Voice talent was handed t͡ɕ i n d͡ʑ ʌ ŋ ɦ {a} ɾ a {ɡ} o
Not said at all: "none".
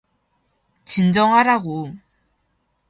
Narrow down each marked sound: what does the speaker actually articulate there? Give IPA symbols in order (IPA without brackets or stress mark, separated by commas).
a, ɡ